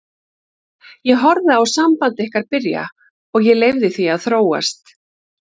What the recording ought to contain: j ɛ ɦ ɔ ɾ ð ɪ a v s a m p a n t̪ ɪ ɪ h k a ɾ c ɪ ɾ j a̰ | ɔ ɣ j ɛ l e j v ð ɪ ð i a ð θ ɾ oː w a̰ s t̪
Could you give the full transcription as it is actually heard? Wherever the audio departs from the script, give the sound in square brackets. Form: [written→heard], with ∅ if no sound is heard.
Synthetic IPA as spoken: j ɛ ɦ ɔ ɾ ð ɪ a [v→w] s a m p a n t̪ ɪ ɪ h k a ɾ [c→p] ɪ ɾ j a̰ | ɔ ɣ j ɛ l e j v ð ɪ [ð→θ] i a ð θ ɾ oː w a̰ s t̪